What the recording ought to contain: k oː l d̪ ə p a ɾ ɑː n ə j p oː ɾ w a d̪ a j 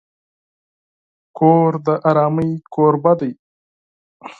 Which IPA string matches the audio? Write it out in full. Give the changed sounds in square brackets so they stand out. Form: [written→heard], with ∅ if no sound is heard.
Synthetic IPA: k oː [l→ɾ] d̪ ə [p→ʔ] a ɾ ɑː [n→m] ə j [p→k] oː ɾ [w→b] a d̪ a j